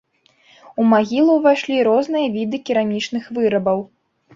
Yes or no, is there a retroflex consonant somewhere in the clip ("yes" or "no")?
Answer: yes